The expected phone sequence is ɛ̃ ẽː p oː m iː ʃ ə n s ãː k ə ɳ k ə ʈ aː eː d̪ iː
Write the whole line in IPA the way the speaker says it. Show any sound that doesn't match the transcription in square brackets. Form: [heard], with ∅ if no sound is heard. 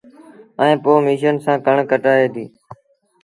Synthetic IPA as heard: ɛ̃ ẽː p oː m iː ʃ ə n s ãː k ə ɳ k ə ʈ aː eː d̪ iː